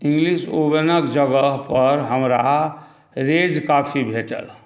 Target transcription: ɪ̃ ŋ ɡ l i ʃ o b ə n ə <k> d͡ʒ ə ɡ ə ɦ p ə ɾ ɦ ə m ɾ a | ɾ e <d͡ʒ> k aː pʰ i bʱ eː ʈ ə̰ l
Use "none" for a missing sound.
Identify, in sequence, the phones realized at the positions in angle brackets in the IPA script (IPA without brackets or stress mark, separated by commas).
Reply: k, d͡ʒ